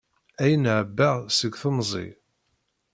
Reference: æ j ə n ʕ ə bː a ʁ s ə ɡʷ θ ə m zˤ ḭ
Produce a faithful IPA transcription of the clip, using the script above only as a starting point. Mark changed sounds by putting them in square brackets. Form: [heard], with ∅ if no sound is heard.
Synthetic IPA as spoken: æ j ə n ʕ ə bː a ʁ s ə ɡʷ θ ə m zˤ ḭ